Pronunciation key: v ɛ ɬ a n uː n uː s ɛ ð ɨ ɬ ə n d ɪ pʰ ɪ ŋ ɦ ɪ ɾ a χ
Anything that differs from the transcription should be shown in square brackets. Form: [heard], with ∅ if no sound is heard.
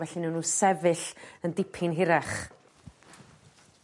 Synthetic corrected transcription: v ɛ ɬ [i] n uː n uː s ɛ [v] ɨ ɬ ə n d ɪ pʰ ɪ [n] ɦ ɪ ɾ a χ

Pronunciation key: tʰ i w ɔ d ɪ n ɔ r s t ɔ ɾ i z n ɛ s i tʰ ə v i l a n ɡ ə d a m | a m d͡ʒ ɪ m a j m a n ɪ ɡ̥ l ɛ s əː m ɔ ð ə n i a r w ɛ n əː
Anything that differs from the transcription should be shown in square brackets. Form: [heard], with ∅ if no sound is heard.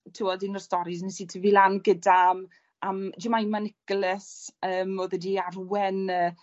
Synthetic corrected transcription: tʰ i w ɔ d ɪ n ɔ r s t ɔ ɾ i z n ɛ s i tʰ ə v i l a n ɡ ə d a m | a m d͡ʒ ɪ m a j m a n ɪ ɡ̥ l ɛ s əː m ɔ ð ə [d] i a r w ɛ n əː

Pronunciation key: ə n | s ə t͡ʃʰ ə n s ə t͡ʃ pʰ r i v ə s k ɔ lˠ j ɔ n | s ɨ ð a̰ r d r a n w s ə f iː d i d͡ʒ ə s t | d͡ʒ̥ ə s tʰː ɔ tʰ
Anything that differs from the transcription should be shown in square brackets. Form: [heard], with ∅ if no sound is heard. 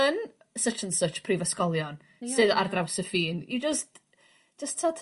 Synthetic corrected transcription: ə n | s ə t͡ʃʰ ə n s ə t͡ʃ pʰ r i v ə s k ɔ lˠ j ɔ n | s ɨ ð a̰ r d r a [∅] w s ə f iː [n] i d͡ʒ ə s t | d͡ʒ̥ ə s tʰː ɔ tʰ

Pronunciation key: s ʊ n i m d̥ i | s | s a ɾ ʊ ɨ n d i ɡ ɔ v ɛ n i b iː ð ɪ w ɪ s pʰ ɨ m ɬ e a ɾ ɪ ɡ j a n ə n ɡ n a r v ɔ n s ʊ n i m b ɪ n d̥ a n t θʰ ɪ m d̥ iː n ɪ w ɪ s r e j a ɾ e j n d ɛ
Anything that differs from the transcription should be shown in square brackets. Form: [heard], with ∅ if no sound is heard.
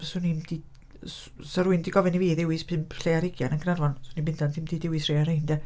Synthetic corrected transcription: s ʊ n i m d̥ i | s | s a ɾ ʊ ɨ n d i ɡ ɔ v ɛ n i [v] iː ð ɪ w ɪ s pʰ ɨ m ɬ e a ɾ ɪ ɡ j a n ə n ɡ n a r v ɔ n s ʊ n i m b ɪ n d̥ a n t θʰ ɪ m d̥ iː [d] ɪ w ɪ s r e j a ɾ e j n d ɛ

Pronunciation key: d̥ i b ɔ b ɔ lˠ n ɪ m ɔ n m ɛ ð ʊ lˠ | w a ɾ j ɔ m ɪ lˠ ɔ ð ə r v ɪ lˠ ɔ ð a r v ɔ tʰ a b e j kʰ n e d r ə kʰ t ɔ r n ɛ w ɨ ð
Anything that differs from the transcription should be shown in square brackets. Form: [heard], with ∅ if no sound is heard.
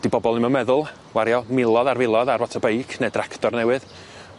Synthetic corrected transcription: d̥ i b ɔ b ɔ lˠ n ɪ m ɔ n m ɛ ð ʊ lˠ | w a ɾ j ɔ m ɪ lˠ ɔ ð [a] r v ɪ lˠ ɔ ð a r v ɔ tʰ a b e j kʰ n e d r [a] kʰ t ɔ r n ɛ w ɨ ð

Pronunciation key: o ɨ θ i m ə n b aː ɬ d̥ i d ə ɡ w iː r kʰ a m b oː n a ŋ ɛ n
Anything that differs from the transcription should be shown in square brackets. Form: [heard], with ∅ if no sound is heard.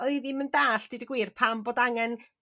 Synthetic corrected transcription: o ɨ [ð] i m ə n [d] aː ɬ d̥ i d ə ɡ w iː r [pʰ] a m b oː [d] a ŋ ɛ n

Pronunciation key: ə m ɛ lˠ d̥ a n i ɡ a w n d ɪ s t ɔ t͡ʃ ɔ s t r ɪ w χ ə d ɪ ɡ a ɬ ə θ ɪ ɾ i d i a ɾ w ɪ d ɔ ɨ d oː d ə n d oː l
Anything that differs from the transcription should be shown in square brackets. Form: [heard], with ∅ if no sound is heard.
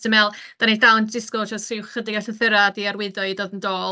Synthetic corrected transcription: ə m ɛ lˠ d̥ a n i [d] a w n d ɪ s [k] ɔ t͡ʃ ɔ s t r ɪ w χ ə d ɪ ɡ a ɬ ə θ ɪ ɾ [a] d i a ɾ w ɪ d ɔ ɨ d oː d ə n d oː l

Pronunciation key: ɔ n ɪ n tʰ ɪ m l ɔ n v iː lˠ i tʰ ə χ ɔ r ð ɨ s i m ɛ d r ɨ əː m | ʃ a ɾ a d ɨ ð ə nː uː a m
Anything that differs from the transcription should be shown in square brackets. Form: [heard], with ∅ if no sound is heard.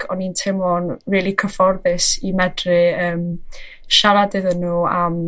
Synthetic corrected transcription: ɔ n [i] n tʰ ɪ m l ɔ n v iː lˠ i [kʰ] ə [f] ɔ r ð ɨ s i m ɛ d r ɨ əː m | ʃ a ɾ a d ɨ ð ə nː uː a m

